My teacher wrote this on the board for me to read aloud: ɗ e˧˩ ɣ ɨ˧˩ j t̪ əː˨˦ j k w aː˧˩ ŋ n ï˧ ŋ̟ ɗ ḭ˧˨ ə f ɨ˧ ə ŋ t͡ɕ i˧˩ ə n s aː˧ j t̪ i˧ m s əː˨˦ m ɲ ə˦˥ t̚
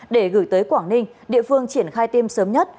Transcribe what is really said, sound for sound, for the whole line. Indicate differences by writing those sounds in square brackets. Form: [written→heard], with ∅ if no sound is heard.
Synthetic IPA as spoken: ɗ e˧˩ ɣ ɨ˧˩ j t̪ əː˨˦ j k w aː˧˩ ŋ n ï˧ ŋ̟ ɗ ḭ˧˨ ə f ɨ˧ ə ŋ t͡ɕ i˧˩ ə n [s→x] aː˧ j t̪ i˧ m s əː˨˦ m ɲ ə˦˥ t̚